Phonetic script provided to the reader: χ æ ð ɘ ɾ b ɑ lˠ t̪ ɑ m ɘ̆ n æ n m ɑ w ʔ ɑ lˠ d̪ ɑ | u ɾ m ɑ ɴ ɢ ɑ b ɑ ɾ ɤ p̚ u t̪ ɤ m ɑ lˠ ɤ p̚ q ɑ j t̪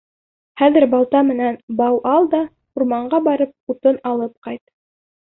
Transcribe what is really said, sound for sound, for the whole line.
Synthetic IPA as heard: χ æ ð ɘ ɾ b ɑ lˠ t̪ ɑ m ɘ̆ n æ n b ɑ w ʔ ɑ lˠ d̪ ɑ | u ɾ m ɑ ɴ ɢ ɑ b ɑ ɾ ɤ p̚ u t̪ ɤ n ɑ lˠ ɤ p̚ q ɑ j t̪